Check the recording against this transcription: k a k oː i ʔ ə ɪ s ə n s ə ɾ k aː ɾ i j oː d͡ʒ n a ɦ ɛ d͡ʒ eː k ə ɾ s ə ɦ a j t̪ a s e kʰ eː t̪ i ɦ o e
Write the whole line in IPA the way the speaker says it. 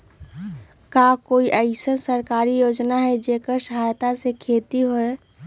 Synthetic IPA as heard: k a k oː i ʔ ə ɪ s ə n s ə ɾ k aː ɾ i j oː d͡ʒ n a ɦ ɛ d͡ʒ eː k ə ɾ s ə ɦ a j t̪ a s e kʰ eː t̪ i ɦ o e

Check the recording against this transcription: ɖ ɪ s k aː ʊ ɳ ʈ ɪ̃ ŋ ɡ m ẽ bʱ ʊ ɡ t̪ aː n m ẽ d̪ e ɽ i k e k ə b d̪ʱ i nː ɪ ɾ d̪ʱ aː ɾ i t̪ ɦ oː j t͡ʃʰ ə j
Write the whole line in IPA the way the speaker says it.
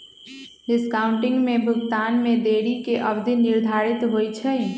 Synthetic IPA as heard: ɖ ɪ s k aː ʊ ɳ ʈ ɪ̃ ŋ ɡ m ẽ bʱ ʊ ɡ t̪ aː n m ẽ d̪ e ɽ i k e ʔ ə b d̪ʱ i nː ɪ ɾ d̪ʱ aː ɾ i t̪ ɦ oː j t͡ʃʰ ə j

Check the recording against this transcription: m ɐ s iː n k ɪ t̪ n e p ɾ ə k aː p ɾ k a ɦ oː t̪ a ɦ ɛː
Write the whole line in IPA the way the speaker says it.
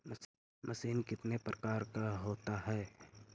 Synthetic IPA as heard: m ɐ s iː n k ɪ t̪ n e p ɾ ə k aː ɾ k a ɦ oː t̪ a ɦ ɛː

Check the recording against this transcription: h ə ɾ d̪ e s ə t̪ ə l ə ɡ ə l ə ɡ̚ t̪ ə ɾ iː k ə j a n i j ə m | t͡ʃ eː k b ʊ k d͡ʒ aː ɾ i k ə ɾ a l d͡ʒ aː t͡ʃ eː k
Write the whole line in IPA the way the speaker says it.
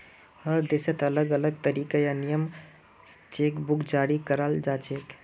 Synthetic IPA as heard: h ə ɾ d̪ e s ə t̪ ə l ə ɡ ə l ə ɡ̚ t̪ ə ɾ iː k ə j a n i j ə m | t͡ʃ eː k b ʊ k d͡ʒ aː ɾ i k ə ɾ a l d͡ʒ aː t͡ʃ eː k

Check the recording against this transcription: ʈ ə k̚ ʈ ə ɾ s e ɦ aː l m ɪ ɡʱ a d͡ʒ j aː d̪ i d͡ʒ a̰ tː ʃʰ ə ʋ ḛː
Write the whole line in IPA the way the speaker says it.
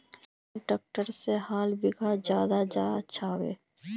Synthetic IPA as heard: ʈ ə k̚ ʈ ə ɾ s e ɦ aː l b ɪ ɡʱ a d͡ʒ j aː d̪ a d͡ʒ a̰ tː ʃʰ a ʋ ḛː

